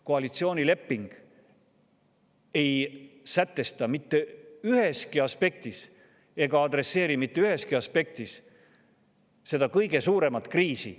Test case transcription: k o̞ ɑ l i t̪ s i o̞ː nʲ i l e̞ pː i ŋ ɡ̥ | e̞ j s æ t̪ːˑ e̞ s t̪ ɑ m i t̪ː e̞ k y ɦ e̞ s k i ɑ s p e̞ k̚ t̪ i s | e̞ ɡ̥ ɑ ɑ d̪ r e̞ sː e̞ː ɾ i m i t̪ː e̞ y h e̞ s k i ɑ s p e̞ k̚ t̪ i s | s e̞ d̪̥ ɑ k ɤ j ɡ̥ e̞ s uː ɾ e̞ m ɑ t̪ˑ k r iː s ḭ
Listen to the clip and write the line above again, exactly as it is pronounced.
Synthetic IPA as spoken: k o̞ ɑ l i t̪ s i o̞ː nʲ i l e̞ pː i ŋ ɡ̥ | e̞ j s æ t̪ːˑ e̞ s t̪ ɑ m i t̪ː e̞ y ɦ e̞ s k i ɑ s p e̞ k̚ t̪ i s | e̞ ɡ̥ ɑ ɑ d̪ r e̞ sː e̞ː ɾ i m i t̪ː e̞ y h e̞ s k i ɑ s p e̞ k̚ t̪ i s | s e̞ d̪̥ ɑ k ɤ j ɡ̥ e̞ s uː ɾ e̞ m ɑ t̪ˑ k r iː s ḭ